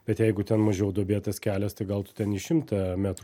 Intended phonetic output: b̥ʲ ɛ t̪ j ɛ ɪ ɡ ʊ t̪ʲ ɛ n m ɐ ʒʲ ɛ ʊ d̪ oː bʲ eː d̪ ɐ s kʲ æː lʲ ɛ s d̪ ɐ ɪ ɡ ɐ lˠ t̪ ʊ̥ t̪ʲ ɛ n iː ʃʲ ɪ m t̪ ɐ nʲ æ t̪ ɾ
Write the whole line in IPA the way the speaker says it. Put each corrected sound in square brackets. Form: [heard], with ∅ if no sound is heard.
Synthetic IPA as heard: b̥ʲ ɛ t̪ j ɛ ɪ ɡ ʊ t̪ʲ ɛ n m ɐ ʒʲ ɛ ʊ d̪ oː bʲ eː [t̪] ɐ s kʲ æː lʲ ɛ s [t̪] ɐ ɪ ɡ ɐ lˠ t̪ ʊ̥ t̪ʲ ɛ n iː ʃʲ ɪ m t̪ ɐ [mʲ] æ t̪ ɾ

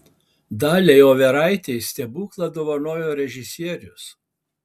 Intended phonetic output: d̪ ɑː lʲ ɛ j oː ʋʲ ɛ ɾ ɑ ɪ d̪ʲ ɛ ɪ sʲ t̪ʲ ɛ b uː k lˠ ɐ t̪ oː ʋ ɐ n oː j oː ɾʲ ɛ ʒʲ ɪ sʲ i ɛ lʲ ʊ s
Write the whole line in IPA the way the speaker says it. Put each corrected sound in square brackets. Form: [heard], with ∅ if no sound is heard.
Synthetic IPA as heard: d̪ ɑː lʲ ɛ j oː ʋʲ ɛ ɾ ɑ ɪ [t̪ʲ] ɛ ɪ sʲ t̪ʲ ɛ b uː k lˠ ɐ [d̪] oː ʋ ɐ n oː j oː ɾʲ ɛ ʒʲ ɪ sʲ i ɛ [ɾʲ] ʊ s

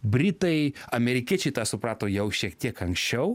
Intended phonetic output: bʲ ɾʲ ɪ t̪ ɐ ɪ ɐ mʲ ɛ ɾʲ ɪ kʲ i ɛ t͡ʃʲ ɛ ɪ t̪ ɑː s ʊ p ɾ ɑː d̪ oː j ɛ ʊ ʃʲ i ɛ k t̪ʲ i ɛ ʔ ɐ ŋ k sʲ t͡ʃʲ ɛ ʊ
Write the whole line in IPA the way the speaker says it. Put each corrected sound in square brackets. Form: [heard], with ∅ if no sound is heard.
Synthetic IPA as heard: bʲ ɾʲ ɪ t̪ ɐ ɪ ɐ mʲ ɛ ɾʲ ɪ kʲ i ɛ t͡ʃʲ ɛ ɪ t̪ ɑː s ʊ p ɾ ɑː [t̪] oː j ɛ ʊ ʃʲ i ɛ k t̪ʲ i ɛ [k] ɐ ŋ k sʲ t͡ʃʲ ɛ ʊ

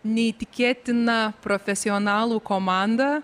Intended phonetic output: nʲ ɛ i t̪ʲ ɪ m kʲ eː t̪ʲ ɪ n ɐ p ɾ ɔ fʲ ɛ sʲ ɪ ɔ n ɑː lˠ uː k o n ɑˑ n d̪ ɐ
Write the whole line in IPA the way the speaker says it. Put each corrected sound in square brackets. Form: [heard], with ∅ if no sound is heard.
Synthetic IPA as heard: nʲ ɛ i t̪ʲ ɪ [∅] kʲ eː t̪ʲ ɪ n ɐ p ɾ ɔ fʲ ɛ sʲ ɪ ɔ n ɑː lˠ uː k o [m] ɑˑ n d̪ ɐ

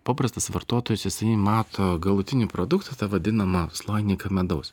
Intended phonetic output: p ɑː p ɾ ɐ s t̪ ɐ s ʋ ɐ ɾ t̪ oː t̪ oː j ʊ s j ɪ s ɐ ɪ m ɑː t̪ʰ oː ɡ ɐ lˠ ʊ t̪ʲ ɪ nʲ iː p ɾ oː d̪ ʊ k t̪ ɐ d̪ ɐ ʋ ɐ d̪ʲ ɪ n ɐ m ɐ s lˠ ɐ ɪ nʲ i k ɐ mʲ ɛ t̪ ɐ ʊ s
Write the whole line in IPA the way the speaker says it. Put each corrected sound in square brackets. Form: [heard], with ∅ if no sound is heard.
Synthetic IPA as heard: p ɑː p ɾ ɐ s t̪ ɐ s ʋ ɐ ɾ t̪ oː t̪ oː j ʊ s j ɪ s ɐ ɪ m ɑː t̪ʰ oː ɡ ɐ lˠ ʊ t̪ʲ ɪ nʲ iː p ɾ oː d̪ ʊ k t̪ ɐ [t̪] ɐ ʋ ɐ d̪ʲ ɪ n ɐ m ɐ s lˠ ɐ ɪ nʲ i k ɐ mʲ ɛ [d̪] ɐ ʊ s

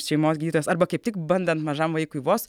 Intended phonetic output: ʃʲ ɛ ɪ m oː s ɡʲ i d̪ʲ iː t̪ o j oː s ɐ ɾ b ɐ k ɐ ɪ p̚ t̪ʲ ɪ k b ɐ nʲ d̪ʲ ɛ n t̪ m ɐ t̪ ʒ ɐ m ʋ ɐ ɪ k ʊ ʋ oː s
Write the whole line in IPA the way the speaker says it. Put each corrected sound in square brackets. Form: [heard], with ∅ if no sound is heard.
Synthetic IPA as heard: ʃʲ ɛ ɪ m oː s ɡʲ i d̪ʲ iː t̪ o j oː s ɐ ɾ b ɐ k ɐ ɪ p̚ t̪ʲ ɪ k b ɐ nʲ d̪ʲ ɛ n t̪ m ɐ [∅] ʒ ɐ m ʋ ɐ ɪ k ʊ ʋ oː s

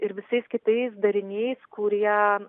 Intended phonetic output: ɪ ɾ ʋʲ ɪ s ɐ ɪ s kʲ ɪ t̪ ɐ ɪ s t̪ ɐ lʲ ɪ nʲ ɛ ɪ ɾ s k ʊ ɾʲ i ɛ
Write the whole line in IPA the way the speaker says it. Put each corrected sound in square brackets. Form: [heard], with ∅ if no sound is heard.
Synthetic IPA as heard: ɪ ɾ ʋʲ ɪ s ɐ ɪ s kʲ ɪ t̪ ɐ ɪ s [d̪] ɐ [ɾʲ] ɪ nʲ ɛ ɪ [∅] s k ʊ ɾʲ i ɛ

